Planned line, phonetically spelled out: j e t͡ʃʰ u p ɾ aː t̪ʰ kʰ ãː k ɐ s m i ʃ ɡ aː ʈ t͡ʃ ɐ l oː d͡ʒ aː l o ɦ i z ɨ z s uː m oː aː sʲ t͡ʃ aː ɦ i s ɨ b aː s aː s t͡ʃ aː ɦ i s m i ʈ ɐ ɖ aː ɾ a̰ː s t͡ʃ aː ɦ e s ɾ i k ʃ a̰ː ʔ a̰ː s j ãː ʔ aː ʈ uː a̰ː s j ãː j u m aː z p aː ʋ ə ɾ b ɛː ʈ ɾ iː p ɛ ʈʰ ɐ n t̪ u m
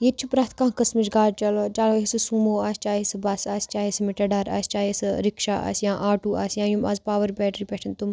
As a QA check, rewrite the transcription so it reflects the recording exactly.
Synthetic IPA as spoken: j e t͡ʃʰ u p ɾ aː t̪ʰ k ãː k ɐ s m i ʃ ɡ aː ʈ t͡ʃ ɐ l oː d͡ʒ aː l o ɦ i s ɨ s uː m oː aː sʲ t͡ʃ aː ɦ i s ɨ b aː s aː s t͡ʃ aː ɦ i s m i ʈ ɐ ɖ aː ɾ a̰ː s t͡ʃ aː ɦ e s ɾ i k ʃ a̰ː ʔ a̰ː s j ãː ʔ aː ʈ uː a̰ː s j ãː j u m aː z p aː ʋ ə ɾ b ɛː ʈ ɾ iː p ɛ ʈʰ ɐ n t̪ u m